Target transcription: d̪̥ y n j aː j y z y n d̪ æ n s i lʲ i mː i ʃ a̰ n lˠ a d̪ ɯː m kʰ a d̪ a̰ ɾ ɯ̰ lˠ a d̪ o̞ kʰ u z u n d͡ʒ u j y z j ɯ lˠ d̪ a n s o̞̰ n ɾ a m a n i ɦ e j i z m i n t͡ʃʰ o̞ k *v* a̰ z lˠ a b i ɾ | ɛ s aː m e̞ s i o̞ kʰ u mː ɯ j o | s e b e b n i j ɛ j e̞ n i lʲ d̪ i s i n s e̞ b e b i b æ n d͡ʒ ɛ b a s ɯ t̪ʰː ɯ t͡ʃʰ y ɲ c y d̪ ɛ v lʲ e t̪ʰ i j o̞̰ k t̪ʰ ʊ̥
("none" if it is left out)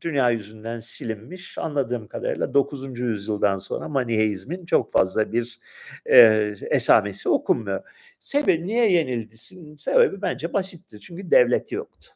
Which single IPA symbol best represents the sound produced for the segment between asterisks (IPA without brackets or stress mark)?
f